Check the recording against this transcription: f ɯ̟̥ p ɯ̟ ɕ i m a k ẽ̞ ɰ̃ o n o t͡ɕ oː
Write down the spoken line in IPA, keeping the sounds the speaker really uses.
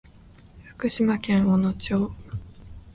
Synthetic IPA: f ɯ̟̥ k ɯ̟ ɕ i m a k ẽ̞ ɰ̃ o n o t͡ɕ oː